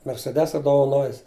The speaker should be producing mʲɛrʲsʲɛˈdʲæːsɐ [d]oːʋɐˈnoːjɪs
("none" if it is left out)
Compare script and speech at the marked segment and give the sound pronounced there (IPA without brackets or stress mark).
d